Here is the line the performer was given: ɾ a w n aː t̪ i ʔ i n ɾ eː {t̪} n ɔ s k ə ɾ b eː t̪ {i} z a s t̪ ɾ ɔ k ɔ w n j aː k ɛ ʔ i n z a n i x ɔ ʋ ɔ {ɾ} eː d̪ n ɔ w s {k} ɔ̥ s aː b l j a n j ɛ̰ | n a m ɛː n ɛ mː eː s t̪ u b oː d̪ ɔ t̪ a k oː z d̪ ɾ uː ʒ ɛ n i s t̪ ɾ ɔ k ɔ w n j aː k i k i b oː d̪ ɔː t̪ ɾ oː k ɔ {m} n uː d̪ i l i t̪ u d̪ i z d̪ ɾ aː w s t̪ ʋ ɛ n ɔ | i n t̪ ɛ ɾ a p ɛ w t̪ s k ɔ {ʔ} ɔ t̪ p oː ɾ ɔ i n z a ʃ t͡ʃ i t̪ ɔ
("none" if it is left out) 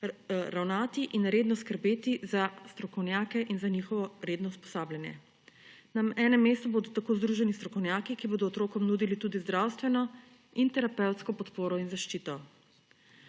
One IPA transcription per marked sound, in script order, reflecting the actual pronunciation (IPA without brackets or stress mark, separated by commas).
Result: d̪, i, ɾ, p, m, p